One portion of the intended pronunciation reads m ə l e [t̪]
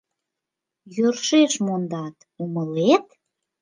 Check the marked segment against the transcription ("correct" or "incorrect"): correct